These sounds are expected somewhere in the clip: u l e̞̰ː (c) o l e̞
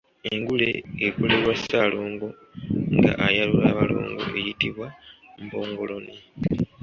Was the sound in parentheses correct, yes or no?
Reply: no